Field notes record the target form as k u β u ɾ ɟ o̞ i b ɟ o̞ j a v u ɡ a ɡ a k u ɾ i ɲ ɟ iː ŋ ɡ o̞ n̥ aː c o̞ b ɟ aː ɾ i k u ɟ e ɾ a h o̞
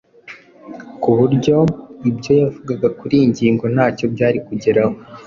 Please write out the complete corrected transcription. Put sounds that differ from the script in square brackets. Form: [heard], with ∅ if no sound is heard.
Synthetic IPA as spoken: k u β u ɾ ɟ o̞ i b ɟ o̞ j a v u ɡ a ɡ a k u ɾ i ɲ ɟ iː ŋ ɡ o̞ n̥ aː c o̞ b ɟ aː ɾ i k u ɟ e ɾ a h o̞